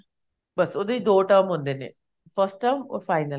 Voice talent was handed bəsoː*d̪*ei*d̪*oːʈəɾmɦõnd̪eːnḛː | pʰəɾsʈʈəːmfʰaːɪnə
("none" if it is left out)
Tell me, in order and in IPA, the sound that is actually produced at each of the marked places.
d̪, d̪

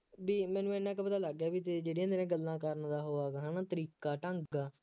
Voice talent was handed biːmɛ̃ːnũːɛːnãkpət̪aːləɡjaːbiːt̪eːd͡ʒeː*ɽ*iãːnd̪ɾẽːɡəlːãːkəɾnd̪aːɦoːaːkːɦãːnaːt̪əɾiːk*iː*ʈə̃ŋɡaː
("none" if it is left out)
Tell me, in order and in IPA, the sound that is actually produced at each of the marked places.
ɽ, aː

